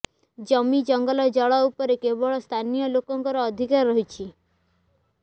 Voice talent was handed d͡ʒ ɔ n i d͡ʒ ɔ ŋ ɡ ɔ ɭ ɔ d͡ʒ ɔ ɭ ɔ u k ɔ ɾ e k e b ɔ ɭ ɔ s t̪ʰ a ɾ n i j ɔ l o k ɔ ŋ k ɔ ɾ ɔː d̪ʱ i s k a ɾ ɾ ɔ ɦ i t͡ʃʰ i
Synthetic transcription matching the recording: d͡ʒ ɔ m i d͡ʒ ɔ ŋ ɡ ɔ l ɔ d͡ʒ ɔ ɭ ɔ u p ɔ ɾ e k e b ɔ ɭ ɔ s t̪ʰ a n i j ɔ l o k ɔ ŋ k ɔ ɾ ɔː d̪ʱ i k a ɾ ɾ ɔ ɦ i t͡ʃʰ i

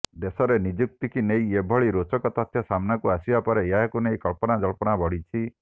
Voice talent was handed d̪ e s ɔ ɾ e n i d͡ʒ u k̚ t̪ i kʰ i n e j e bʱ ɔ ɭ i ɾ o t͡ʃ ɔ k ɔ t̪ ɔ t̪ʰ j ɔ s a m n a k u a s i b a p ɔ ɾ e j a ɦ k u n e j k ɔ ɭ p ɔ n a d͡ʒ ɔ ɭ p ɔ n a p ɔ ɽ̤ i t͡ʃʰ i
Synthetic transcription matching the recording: d̪ e s ɔ ɾ e n i d͡ʒ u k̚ t̪ i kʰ i n e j e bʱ ɔ ɭ i ɾ o t͡ʃ ɔ k ɔ t̪ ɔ t̪ʰ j ɔ s a m n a k u a s i b a p ɔ ɾ e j a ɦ k u n e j k ɔ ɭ p ɔ n a d͡ʒ ɔ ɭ p ɔ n a b ɔ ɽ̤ i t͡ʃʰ i

